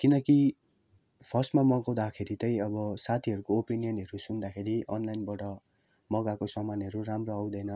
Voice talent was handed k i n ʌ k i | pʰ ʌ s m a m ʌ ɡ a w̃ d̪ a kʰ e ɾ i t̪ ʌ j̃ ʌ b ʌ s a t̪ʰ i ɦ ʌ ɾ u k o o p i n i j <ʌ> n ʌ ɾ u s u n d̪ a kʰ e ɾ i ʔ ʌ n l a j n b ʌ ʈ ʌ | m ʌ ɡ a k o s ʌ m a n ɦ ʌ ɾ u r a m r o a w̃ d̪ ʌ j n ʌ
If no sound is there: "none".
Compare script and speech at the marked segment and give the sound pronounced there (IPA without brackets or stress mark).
ʌ